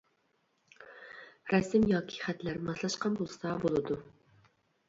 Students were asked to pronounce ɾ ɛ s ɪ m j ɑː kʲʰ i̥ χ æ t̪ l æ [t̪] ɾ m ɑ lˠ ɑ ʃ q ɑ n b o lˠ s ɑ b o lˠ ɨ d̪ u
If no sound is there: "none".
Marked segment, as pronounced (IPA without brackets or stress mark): none